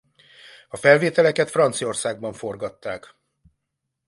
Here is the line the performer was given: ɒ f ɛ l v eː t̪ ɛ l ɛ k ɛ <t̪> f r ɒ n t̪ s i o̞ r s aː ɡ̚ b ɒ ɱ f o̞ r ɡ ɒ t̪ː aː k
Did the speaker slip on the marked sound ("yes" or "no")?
no